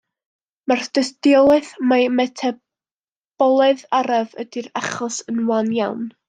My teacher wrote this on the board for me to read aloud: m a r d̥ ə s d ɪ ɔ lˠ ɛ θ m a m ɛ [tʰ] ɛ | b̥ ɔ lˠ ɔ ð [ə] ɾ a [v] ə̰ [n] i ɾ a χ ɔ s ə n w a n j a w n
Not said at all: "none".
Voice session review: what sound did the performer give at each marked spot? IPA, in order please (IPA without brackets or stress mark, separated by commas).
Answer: tʰ, a, v, d